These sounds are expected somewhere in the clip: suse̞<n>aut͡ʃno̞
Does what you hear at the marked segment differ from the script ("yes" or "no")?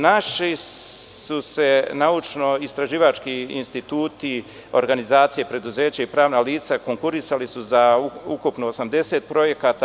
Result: no